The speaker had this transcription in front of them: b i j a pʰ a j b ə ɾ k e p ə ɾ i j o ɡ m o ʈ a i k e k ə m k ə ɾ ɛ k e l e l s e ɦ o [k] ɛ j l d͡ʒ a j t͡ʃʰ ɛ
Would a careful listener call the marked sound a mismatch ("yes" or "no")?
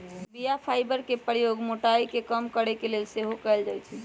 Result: no